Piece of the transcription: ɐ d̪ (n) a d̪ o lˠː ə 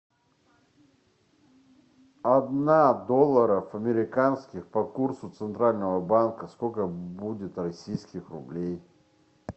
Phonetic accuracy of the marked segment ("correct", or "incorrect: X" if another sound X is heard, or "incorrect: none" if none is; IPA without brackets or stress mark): correct